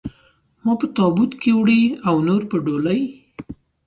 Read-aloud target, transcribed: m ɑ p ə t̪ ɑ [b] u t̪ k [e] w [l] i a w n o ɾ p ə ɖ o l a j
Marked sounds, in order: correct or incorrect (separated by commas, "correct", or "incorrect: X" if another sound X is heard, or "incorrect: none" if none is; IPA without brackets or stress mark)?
correct, correct, incorrect: ɽ